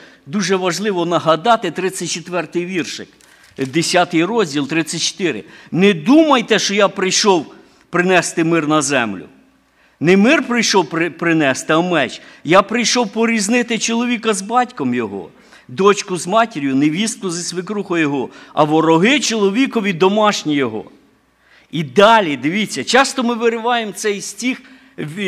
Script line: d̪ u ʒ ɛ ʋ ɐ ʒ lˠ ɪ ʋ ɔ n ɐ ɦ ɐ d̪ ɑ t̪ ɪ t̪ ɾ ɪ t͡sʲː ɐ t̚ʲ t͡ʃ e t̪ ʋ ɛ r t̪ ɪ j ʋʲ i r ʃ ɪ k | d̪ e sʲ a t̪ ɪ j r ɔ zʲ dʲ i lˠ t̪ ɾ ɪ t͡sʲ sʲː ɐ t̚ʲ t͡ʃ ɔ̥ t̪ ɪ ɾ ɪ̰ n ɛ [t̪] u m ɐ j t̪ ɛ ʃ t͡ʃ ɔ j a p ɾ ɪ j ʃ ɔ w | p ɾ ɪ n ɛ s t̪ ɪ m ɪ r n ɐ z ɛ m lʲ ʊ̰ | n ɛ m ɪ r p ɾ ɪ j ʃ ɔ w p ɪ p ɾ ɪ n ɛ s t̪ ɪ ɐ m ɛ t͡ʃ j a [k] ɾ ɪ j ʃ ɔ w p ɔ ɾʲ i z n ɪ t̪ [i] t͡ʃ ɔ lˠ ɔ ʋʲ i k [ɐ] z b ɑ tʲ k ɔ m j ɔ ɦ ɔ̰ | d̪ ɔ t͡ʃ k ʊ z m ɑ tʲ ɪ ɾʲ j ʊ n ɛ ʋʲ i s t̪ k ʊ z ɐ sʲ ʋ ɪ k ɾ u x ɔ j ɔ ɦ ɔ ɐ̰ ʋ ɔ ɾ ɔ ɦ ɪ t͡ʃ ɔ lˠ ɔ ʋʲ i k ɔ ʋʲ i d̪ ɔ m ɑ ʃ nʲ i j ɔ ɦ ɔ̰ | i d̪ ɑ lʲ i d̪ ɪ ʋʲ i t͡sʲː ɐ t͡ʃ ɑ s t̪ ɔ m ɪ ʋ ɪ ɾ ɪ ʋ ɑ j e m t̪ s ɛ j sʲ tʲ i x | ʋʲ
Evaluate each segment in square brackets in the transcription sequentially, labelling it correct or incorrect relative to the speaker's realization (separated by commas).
incorrect, incorrect, incorrect, correct